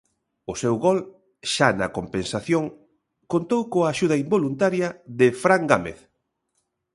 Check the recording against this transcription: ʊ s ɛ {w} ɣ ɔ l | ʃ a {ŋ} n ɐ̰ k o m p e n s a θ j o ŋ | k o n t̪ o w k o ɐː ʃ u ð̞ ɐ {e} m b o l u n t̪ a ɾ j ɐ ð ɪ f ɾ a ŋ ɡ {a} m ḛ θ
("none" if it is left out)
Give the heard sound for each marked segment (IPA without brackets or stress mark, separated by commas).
w, none, i, a